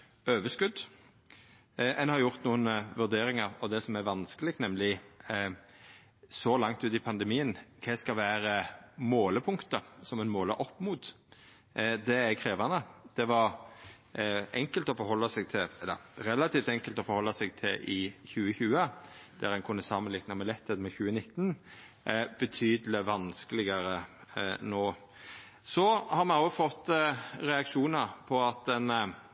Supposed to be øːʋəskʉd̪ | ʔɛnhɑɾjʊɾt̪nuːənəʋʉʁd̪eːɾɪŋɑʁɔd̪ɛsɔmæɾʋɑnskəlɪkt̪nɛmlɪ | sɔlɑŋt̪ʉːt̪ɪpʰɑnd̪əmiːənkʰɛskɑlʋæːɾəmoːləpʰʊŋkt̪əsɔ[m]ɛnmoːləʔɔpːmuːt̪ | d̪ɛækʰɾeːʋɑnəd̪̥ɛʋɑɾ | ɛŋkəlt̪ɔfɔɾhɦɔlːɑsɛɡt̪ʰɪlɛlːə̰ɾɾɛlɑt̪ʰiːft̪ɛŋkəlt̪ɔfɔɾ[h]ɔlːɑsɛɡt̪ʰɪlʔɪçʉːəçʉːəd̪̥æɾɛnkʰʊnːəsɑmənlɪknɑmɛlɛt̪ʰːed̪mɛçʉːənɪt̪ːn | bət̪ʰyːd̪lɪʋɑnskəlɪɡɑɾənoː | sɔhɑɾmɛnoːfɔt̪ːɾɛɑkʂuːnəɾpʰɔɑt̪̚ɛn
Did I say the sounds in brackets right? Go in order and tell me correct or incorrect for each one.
correct, correct

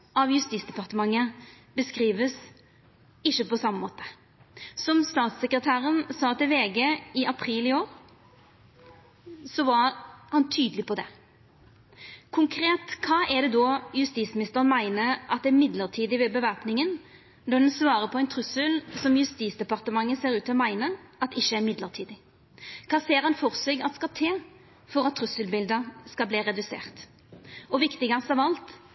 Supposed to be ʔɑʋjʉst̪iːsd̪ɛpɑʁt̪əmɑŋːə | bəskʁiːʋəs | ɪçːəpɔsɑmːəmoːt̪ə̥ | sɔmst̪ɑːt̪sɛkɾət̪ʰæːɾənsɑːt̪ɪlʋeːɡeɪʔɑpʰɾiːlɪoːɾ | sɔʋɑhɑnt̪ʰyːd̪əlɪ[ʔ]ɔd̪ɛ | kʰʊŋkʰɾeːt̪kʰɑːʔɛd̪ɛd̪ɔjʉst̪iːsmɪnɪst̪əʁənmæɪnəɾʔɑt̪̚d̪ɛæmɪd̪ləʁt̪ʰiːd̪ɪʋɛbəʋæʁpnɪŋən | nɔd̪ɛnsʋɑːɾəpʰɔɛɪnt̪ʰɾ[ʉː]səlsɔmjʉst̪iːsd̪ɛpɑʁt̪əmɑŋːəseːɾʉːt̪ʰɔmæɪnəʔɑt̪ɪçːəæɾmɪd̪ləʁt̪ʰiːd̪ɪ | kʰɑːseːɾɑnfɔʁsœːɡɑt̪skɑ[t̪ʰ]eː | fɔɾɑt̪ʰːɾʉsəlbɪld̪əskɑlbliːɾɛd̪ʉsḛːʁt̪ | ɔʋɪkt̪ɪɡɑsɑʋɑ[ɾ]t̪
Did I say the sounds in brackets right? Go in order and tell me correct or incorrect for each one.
incorrect: p, incorrect: ʉ, correct, incorrect: l

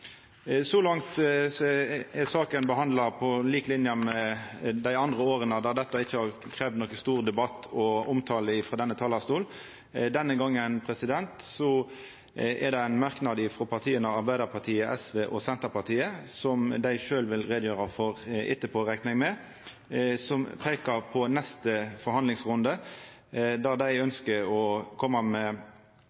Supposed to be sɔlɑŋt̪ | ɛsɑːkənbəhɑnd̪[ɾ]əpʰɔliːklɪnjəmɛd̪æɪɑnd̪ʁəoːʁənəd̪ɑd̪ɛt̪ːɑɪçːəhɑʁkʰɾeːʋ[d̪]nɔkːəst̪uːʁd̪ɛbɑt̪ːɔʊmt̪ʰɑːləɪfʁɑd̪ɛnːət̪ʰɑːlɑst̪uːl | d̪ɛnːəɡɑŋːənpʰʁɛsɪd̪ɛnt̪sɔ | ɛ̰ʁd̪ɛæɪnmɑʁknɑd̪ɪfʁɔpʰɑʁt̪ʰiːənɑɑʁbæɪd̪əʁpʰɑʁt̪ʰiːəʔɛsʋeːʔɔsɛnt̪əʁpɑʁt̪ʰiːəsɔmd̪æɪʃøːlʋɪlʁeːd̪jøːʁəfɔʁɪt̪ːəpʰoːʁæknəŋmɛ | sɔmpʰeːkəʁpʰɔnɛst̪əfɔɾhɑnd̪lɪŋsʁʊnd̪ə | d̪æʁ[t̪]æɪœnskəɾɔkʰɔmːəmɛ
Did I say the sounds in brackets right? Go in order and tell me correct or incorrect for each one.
incorrect: l, correct, incorrect: d̪

